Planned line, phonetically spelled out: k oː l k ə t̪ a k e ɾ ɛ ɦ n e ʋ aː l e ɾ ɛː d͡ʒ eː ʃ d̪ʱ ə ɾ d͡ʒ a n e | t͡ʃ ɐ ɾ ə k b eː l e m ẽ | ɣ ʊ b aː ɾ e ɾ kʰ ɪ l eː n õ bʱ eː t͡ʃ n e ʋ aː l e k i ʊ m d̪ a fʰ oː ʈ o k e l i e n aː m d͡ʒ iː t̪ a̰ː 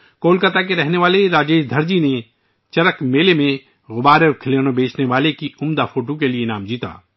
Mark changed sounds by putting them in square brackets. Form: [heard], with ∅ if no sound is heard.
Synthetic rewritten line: k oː l k ə t̪ a k e ɾ ɛ ɦ n e ʋ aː l e ɾ [aː] d͡ʒ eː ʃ d̪ʱ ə ɾ d͡ʒ [i] n e | t͡ʃ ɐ ɾ ə k [m] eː l e m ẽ | ɣ ʊ b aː ɾ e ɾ kʰ ɪ l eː n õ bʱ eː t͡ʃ n e ʋ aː l e k i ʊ m d̪ a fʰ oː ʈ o k e l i e n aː m d͡ʒ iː t̪ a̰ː